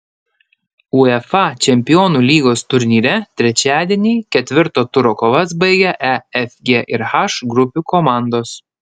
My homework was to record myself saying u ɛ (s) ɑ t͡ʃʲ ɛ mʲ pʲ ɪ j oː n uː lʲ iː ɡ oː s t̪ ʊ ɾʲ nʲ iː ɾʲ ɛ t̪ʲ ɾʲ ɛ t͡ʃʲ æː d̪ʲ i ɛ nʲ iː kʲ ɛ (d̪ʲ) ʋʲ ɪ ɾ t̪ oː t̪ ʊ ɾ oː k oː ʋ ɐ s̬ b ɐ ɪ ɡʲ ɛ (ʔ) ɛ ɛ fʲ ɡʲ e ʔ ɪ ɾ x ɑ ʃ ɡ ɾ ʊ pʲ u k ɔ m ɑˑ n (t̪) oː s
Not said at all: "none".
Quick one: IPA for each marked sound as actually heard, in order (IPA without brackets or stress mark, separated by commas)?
f, t̪ʲ, ʔ, d̪